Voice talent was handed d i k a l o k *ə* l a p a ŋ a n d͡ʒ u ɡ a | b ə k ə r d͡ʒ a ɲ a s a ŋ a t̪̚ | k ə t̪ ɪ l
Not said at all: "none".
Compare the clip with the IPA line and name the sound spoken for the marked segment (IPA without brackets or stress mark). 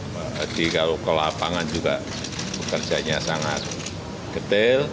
ə